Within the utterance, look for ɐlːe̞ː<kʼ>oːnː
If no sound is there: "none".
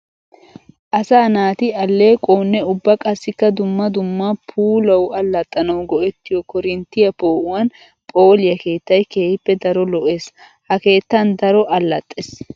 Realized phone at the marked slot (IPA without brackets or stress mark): kʼ